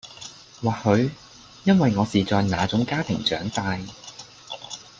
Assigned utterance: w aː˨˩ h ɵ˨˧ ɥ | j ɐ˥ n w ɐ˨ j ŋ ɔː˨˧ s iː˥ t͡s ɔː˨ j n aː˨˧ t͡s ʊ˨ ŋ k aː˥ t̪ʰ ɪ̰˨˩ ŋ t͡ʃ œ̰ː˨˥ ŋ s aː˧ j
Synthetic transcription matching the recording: w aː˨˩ h ɵ˨˧ ɥ | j ɐ˥ n w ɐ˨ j ŋ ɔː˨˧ s iː˨ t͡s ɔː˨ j n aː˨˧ t͡s ʊ˨˥ ŋ k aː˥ t̪ʰ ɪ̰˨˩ ŋ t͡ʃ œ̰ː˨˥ ŋ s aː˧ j